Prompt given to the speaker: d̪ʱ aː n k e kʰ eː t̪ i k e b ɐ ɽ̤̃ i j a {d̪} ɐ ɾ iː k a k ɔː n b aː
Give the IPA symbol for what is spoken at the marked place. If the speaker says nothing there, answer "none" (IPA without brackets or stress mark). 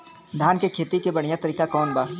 t̪